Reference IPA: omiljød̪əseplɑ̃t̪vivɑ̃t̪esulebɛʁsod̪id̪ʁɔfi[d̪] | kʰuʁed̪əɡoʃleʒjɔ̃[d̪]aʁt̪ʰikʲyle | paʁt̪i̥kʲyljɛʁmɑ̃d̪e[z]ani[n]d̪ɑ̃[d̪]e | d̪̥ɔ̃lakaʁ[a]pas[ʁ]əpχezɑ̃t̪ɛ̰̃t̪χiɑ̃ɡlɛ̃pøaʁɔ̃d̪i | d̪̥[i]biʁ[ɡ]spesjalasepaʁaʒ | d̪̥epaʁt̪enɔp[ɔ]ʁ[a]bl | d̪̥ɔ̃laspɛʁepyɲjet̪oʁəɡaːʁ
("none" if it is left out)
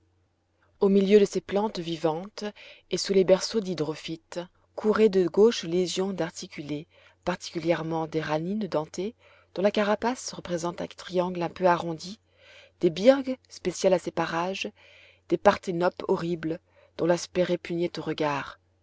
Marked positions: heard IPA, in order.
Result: t̪, d̪, ʁ, n, t̪, a, ʁ, e, ɡ, ɔ, i

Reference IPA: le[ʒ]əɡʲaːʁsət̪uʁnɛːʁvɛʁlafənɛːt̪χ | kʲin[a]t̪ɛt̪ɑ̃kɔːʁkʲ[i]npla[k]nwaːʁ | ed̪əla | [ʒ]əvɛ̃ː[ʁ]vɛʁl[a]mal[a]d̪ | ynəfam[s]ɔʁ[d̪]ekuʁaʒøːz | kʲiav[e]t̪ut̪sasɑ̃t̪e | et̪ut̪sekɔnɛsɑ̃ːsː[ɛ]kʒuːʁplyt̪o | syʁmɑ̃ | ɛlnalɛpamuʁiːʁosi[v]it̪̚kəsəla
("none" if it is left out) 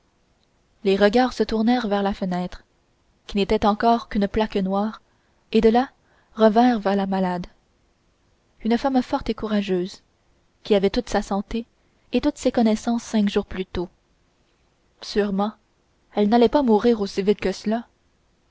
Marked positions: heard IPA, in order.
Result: ʁ, e, y, k, ʁ, ʁ, a, a, f, t̪, ɛ, ɛ̃, v

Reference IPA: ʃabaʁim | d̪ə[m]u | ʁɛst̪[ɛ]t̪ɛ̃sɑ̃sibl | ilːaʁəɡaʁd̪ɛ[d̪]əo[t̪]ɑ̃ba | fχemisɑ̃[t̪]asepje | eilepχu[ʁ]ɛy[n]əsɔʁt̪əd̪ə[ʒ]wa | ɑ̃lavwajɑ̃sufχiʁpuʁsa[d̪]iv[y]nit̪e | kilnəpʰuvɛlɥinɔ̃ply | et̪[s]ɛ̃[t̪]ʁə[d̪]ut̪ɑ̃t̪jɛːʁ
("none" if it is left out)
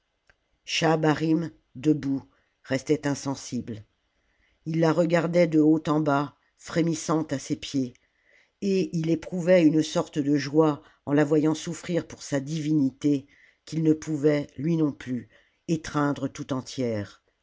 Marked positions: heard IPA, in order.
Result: b, ɛ, d̪, t̪, t̪, v, n, ʒ, d̪, i, χ, d̪, t̪

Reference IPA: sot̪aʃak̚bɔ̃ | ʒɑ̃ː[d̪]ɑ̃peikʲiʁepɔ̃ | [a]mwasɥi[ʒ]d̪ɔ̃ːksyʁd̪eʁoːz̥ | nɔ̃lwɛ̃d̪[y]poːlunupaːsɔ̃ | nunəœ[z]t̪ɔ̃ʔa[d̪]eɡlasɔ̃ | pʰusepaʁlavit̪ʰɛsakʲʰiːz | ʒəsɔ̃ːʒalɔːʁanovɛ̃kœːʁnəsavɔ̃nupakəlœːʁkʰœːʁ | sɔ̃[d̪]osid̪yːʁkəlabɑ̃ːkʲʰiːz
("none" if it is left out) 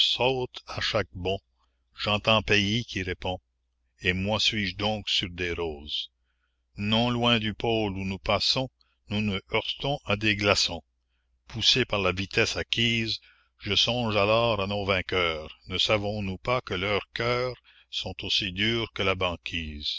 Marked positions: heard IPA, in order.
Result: t̪, e, ʒ, y, ʁ, d̪, t̪

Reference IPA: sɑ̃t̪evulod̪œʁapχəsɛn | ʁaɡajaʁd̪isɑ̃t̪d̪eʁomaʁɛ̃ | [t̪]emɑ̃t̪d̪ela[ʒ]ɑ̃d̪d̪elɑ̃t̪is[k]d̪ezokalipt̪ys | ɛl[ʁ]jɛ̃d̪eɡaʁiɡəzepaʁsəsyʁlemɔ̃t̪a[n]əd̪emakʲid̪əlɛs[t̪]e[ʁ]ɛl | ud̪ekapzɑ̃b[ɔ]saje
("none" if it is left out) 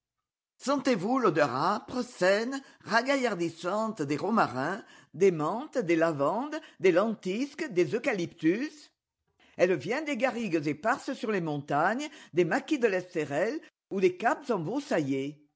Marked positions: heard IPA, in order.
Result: d̪, v, k, v, ɲ, t̪, ʁ, o

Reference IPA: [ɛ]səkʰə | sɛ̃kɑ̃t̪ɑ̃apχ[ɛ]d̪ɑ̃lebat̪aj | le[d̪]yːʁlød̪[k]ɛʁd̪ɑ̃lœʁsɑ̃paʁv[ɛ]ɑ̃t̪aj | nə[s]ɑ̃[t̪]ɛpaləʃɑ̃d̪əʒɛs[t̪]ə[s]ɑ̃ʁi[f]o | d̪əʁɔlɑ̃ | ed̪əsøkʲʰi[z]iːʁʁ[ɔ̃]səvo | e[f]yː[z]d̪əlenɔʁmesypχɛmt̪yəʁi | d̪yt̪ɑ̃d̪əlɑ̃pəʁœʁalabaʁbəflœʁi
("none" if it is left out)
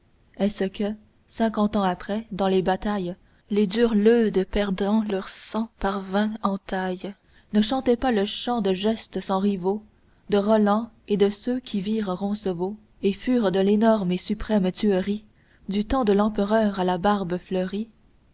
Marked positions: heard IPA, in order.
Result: ɛ, ɛ, d̪, p, ɛ̃, ʃ, t̪, t̪, s, v, v, ɔ̃, f, ʁ

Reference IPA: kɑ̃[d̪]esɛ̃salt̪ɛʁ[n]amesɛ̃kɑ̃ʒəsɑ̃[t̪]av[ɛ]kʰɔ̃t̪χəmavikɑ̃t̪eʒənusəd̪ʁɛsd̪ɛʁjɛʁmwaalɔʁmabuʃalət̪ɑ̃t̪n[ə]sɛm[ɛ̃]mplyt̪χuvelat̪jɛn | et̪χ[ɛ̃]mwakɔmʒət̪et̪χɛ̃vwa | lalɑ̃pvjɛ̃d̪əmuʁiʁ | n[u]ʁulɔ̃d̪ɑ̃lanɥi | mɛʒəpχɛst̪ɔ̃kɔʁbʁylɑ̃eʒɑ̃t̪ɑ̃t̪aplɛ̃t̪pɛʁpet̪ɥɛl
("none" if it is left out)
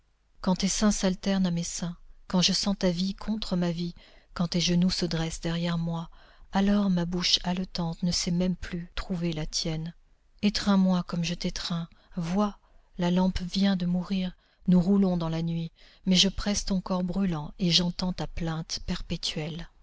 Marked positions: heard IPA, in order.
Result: t̪, n, t̪, i, ə, ɛ, ɛ̃, u

